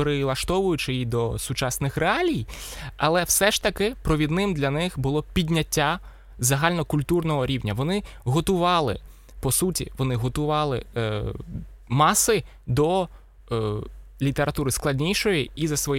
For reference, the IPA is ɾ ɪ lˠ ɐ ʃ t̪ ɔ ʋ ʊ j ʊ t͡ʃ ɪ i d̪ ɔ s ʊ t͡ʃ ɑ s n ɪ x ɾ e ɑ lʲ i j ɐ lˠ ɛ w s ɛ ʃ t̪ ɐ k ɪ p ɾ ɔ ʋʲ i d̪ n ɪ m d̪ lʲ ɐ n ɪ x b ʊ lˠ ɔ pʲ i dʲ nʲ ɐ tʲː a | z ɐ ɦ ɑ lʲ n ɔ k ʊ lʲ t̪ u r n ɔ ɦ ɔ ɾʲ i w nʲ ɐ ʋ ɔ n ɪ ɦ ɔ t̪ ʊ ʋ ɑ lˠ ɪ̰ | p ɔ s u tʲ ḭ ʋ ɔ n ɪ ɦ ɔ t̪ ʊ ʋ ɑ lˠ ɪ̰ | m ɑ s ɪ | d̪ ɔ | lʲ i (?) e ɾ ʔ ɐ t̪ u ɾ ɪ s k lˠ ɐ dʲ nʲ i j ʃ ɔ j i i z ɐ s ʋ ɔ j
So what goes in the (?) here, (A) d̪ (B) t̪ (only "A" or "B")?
B